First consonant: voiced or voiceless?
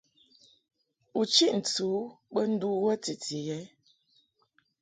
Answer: voiceless